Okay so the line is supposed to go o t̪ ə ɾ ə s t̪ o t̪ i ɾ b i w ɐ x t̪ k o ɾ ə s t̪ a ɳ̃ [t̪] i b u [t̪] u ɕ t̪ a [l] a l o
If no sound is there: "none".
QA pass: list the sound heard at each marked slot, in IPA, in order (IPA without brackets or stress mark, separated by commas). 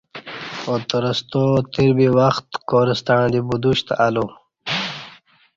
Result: d̪, d̪, none